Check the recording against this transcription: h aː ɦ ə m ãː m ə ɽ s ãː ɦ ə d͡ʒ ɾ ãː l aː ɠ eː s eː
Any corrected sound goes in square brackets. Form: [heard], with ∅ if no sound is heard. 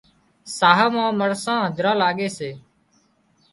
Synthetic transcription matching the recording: [s] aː ɦ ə m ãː m ə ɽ s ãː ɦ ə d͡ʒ ɾ ãː l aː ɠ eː s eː